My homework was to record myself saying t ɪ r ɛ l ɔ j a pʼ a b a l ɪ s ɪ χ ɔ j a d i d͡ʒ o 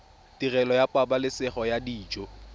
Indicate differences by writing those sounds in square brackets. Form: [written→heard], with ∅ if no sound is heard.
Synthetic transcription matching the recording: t [ɪ→i] r ɛ l ɔ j a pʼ a b a l ɪ s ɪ χ ɔ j a d [i→iː] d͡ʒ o